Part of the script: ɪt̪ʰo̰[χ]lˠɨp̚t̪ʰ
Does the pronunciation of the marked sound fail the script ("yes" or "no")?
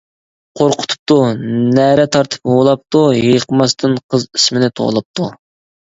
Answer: yes